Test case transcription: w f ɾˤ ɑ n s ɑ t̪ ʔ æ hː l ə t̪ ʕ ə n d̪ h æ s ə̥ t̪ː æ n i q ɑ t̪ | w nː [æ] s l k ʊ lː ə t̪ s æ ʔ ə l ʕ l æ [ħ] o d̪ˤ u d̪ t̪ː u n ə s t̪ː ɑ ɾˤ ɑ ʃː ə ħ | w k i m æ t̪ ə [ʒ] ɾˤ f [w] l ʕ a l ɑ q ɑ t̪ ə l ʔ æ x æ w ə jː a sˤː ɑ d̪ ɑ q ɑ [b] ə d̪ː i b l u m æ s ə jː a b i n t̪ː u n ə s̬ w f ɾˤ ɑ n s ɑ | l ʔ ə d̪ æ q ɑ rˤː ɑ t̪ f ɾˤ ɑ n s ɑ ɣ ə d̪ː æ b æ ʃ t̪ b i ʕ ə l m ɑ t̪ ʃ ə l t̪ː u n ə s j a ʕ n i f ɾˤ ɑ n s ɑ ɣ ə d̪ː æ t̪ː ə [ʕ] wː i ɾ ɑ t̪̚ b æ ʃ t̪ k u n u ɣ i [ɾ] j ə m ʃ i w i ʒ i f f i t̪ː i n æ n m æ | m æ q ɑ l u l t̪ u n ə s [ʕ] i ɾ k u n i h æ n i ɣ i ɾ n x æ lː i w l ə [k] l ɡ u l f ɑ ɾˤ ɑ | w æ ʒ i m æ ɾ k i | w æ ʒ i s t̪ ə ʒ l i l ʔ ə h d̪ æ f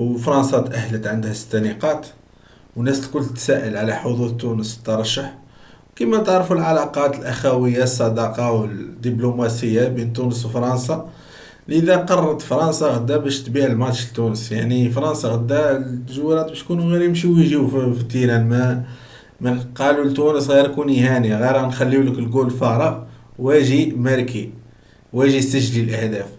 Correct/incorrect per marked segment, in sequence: correct, correct, incorrect, incorrect, incorrect, incorrect, correct, incorrect, correct

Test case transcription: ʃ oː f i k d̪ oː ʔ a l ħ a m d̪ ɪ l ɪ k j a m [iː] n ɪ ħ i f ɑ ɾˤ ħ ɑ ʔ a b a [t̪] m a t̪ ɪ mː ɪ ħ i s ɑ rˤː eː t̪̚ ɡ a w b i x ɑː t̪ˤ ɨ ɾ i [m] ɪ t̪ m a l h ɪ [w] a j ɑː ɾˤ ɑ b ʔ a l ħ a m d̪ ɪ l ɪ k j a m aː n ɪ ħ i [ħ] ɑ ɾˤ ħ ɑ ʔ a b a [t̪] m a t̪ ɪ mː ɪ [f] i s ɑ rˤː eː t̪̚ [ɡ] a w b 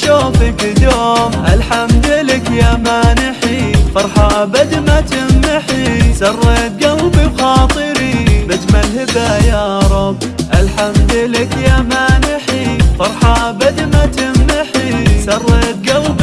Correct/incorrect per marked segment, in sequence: incorrect, incorrect, incorrect, incorrect, incorrect, incorrect, incorrect, correct

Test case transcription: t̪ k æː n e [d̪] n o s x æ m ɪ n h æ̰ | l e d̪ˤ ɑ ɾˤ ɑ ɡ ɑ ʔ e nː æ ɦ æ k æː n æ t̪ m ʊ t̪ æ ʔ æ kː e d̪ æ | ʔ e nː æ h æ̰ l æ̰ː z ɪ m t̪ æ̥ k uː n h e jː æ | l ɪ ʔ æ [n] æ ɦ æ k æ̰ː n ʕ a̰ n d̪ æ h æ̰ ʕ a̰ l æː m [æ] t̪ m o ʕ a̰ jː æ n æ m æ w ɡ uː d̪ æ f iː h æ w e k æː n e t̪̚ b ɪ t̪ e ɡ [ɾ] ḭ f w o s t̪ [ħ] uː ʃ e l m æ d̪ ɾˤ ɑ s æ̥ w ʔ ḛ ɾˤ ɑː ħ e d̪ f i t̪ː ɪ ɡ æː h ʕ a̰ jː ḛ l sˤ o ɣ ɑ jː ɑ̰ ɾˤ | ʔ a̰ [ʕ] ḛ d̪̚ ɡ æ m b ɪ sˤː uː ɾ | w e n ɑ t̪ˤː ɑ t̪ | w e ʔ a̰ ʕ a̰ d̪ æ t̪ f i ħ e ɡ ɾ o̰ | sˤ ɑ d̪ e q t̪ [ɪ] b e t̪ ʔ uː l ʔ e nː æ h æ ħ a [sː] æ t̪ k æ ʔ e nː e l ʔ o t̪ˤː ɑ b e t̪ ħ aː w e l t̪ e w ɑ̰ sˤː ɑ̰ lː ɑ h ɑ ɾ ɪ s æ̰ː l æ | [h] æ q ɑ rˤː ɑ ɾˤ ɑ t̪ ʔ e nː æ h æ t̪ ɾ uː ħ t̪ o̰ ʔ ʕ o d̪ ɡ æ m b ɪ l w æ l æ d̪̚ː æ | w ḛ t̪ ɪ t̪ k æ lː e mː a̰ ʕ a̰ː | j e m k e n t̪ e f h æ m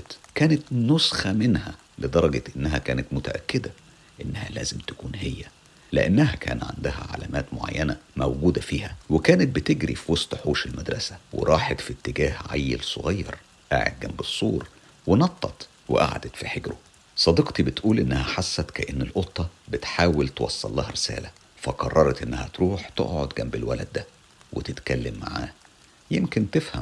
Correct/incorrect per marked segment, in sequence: incorrect, incorrect, incorrect, correct, correct, correct, incorrect, correct, incorrect

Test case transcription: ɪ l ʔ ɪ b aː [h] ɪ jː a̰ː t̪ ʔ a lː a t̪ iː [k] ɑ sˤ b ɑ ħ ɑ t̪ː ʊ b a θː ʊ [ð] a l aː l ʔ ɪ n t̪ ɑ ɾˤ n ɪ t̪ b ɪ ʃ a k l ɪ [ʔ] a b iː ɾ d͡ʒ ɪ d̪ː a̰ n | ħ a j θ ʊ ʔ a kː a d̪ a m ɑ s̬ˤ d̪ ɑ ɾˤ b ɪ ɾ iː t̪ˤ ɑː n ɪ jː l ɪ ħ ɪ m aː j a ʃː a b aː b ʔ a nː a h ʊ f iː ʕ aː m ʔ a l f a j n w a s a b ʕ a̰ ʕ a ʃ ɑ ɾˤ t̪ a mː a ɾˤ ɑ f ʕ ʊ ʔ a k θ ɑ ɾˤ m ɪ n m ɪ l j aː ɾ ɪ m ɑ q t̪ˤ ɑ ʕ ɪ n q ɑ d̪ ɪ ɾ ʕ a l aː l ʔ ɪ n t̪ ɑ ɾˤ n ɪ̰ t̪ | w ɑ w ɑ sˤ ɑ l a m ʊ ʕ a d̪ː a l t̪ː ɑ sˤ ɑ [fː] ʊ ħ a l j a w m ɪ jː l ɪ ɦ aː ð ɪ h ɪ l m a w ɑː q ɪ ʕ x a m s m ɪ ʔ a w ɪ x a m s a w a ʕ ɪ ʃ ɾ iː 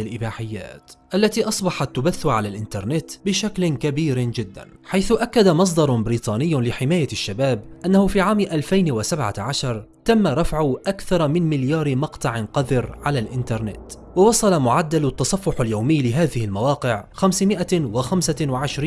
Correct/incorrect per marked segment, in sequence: incorrect, incorrect, incorrect, incorrect, correct

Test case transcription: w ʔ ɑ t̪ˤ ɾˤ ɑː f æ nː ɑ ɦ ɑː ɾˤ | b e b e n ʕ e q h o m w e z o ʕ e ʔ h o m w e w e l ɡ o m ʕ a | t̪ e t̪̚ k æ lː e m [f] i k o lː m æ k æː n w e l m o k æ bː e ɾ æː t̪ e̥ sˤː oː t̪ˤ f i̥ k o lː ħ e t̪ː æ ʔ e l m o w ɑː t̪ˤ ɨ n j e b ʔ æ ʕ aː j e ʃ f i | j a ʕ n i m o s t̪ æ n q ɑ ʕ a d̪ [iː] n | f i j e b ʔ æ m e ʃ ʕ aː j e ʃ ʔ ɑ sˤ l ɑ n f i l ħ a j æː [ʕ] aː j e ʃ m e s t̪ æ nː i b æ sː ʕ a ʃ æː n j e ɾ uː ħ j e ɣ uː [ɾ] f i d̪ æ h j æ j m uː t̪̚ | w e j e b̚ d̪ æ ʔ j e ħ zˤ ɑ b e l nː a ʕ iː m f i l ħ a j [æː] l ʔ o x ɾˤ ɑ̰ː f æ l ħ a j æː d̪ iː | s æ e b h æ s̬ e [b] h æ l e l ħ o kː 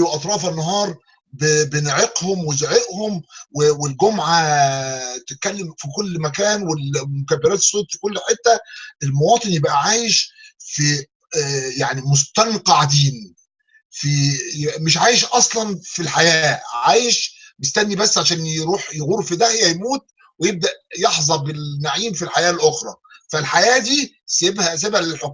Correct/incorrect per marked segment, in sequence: correct, correct, correct, correct, correct, correct

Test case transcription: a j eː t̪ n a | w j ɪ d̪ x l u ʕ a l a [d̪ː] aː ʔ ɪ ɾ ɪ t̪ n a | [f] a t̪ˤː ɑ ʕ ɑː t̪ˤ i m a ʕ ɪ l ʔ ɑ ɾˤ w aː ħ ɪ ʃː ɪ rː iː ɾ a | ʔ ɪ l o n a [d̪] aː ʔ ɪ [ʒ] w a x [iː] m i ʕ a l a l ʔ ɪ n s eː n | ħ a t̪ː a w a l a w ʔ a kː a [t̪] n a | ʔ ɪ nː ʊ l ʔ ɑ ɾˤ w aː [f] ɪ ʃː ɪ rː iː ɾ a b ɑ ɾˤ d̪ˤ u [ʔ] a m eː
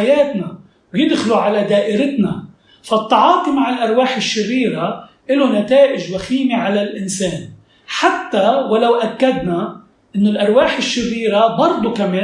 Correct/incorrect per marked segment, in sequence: incorrect, correct, incorrect, correct, correct, incorrect, incorrect, incorrect

